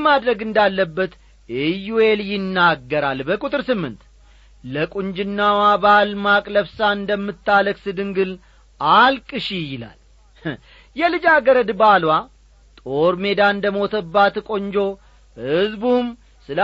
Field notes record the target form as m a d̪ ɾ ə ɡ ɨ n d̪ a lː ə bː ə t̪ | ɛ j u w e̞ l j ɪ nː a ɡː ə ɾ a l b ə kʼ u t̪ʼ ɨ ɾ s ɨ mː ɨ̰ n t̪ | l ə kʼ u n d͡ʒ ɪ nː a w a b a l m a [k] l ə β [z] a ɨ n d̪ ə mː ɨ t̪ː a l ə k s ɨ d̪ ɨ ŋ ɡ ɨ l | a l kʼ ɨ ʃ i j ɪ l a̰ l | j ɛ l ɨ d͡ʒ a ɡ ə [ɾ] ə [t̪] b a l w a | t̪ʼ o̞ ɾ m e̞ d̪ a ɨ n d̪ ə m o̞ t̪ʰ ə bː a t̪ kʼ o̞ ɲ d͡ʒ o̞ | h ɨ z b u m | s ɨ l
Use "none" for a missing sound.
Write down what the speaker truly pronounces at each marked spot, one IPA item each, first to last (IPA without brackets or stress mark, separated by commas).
kʼ, s, ɾ, d̪